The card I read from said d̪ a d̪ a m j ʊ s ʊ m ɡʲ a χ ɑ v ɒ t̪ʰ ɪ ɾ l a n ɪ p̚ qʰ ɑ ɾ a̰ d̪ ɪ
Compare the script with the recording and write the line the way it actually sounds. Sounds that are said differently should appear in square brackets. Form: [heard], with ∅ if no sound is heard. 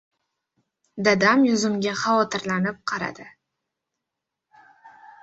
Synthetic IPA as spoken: d̪ a d̪ a m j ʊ [z] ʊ m ɡʲ a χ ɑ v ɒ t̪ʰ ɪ ɾ l a n ɪ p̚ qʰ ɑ ɾ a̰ d̪ ɪ